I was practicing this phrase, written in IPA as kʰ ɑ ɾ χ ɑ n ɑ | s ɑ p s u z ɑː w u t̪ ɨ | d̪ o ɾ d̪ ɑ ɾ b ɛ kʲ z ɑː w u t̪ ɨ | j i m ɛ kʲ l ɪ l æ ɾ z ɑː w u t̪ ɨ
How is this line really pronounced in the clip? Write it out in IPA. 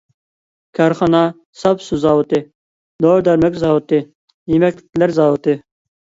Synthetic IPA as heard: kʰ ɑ ɾ χ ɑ n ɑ | s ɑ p s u z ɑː w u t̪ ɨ | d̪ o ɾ d̪ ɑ ɾ m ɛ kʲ z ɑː w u t̪ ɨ | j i m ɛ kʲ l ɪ l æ ɾ z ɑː w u t̪ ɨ